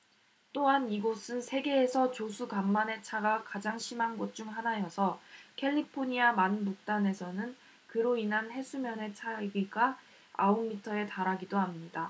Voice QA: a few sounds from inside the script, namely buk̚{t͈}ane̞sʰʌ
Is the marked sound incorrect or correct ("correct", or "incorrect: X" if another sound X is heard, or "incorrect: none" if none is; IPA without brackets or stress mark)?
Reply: correct